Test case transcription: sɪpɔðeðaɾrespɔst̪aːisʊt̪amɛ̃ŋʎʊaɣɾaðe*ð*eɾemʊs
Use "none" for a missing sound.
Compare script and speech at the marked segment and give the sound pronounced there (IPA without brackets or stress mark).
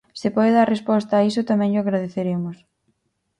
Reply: θ